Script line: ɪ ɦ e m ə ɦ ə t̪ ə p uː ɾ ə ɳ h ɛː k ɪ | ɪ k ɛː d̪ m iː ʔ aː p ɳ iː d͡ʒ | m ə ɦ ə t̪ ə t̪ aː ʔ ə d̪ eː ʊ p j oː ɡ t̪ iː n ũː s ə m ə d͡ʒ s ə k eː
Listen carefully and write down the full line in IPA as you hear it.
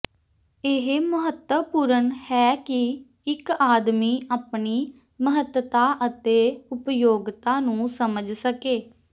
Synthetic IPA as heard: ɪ ɦ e m ə ɦ ə t̪ ə p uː ɾ ə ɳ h ɛː k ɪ | ɪ k aː d̪ m iː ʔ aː p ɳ iː | m ə ɦ ə t̪ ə t̪ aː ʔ ə t̪ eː ʊ p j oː ɡ t̪ aː n ũː s ə m ə d͡ʒ s ə k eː

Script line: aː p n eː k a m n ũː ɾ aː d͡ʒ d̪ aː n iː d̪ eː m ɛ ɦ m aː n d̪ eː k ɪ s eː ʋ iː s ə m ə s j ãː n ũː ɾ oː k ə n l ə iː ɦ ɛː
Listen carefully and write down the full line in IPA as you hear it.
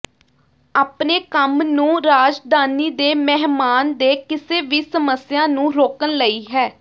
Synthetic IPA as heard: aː p n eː k ə m n ũː ɾ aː d͡ʒ d̪ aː n iː d̪ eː m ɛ ɦ m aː n d̪ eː k ɪ s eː ʋ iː s ə m ə s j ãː n ũː ɾ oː k ə n l ə iː ɦ ɛː

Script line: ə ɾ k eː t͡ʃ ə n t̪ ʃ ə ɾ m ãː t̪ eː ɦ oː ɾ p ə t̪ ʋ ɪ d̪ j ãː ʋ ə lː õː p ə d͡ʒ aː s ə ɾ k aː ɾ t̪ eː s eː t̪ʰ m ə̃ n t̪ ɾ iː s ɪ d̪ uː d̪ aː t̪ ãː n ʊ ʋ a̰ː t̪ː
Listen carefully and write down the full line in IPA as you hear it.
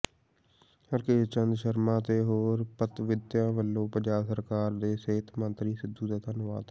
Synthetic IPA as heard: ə ɾ k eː t͡ʃ ə n d̪ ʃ ə ɾ m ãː t̪ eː ɦ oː ɾ p ə t̪ ʋ ɪ d̪ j ãː ʋ ə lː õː p ə d͡ʒ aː s ə ɾ k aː ɾ d̪ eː s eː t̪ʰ m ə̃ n t̪ ɾ iː s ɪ d̪ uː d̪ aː t̪ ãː n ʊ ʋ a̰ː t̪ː

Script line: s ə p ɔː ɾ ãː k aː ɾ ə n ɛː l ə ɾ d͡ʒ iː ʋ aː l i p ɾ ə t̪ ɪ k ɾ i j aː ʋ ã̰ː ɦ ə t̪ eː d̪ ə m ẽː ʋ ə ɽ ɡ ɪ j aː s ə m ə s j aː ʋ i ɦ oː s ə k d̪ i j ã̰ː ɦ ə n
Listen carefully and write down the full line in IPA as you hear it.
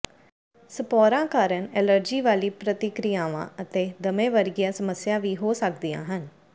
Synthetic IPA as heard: s ə p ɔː ɾ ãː k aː ɾ ə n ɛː l ə ɾ d͡ʒ iː ʋ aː l iː p ɾ ə t̪ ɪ k ɾ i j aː ʋ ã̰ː ə t̪ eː d̪ ə m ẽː ʋ ə ɾ ɡ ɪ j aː s ə m ə s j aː ʋ iː ɦ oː s ə k d̪ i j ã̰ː ɦ ə n

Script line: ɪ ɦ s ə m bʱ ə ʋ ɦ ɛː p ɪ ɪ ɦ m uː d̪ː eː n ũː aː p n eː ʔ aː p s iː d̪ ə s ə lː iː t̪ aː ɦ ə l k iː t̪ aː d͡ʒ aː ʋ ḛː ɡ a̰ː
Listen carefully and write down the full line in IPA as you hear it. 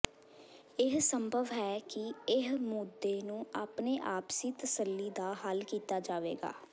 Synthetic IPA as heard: ɪ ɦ s ə m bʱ ə ʋ ɦ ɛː k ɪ ɪ ɦ m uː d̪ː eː n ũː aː p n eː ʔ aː p s iː t̪ ə s ə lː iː d̪ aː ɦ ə l k iː t̪ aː d͡ʒ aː ʋ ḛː ɡ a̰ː

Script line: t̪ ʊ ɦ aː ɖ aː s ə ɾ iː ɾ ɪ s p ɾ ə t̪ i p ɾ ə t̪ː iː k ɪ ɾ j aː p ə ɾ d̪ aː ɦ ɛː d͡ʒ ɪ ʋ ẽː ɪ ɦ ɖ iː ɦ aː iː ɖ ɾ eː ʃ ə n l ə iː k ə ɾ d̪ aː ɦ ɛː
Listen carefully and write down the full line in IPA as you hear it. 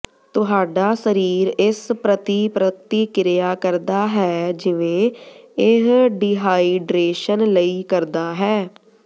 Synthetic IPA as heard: t̪ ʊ ɦ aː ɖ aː s ə ɾ iː ɾ ɪ s p ɾ ə t̪ i p ɾ ə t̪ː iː k ɪ ɾ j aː k ə ɾ d̪ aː ɦ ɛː d͡ʒ ɪ ʋ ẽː ɪ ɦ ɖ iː ɦ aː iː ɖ ɾ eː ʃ ə n l ə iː k ə ɾ d̪ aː ɦ ɛː

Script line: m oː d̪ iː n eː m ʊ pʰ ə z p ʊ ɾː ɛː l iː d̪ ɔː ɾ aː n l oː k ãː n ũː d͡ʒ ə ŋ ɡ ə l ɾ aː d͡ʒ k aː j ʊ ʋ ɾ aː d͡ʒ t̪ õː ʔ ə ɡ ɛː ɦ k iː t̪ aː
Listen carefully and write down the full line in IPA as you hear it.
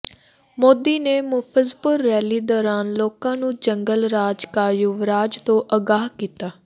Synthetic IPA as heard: m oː d̪ iː n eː m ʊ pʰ ə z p ʊ ɾː ɛː l iː d̪ ɔː ɾ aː n l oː k ãː n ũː d͡ʒ ə ŋ ɡ ə l ɾ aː d͡ʒ k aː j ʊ ʋ ɾ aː d͡ʒ t̪ õː ʔ ə ɡ aː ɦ k iː t̪ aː

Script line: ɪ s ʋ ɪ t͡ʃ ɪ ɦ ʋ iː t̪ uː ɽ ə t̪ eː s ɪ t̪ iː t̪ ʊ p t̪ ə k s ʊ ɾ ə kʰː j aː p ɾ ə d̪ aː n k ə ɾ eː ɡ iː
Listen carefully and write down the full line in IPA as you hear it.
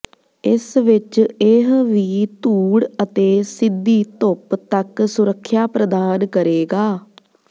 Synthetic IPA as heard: ɪ s ʋ ɪ t͡ʃ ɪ ɦ ʋ iː t̪ uː ɽ ə t̪ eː s ɪ d̪ iː t̪ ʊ p t̪ ə k s ʊ ɾ ə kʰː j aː p ɾ ə d̪ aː n k ə ɾ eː ɡ aː

